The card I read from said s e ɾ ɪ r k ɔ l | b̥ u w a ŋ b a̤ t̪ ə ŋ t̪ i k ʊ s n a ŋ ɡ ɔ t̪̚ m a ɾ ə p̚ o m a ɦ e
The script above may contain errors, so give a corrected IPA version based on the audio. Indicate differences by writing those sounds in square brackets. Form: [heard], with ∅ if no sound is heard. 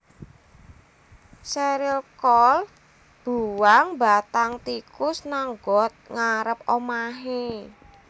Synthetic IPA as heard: s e ɾ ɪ [l] k ɔ l | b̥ u w a ŋ b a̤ t̪ [a] ŋ t̪ i k ʊ s n a ŋ ɡ ɔ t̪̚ [ŋ] a ɾ ə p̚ o m a ɦ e